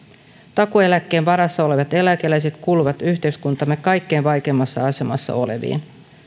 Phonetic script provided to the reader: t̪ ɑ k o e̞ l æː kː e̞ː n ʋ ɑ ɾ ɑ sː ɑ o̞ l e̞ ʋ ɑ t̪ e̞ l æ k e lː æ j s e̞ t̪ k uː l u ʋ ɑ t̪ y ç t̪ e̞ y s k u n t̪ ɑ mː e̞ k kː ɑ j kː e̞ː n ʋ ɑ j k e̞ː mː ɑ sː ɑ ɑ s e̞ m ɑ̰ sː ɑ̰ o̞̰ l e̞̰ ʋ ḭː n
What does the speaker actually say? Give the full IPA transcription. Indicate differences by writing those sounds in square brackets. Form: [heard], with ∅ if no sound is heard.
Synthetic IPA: t̪ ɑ k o e̞ l [æ] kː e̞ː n ʋ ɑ ɾ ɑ sː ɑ o̞ l e̞ ʋ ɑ t̪ e̞ l æ k e [l] æ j s e̞ t̪ k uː l u ʋ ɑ t̪ y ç t̪ e̞ y s k u n t̪ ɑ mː e̞ k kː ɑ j kː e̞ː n ʋ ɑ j k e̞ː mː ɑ sː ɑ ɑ s e̞ m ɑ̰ sː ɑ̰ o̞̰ l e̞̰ ʋ ḭː n